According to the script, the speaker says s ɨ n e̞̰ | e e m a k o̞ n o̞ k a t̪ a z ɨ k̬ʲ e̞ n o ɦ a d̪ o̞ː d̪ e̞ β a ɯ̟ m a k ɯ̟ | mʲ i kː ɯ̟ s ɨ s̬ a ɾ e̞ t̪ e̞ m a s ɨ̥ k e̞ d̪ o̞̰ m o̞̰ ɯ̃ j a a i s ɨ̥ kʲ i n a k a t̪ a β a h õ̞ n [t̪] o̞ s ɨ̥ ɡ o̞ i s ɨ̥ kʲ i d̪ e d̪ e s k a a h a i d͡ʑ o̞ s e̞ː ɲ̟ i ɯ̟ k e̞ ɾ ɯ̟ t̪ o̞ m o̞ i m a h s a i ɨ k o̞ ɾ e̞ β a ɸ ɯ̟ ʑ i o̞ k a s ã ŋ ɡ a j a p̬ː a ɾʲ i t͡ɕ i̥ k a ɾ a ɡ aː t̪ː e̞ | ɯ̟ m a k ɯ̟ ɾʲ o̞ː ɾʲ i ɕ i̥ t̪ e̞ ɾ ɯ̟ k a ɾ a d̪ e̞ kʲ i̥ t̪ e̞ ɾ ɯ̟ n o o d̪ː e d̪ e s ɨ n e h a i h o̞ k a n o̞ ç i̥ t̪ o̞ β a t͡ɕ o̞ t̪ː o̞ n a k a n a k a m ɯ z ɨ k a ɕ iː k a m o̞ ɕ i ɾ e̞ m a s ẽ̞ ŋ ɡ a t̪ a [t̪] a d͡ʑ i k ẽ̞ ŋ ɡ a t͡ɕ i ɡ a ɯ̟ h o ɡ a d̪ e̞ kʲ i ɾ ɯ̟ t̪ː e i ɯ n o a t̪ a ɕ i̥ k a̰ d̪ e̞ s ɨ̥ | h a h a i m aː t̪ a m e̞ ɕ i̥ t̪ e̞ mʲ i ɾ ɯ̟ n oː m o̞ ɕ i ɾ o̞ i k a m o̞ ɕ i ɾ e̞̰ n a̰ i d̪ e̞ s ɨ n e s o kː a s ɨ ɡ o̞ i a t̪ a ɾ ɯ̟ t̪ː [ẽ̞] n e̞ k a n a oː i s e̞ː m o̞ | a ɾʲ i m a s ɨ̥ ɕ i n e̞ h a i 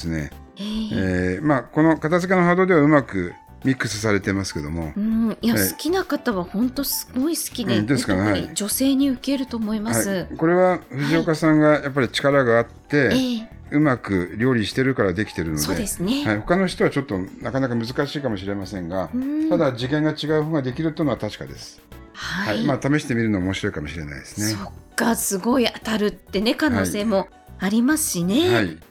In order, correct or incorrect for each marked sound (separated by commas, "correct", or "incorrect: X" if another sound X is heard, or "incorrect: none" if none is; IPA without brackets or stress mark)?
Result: correct, incorrect: d̪, incorrect: e̞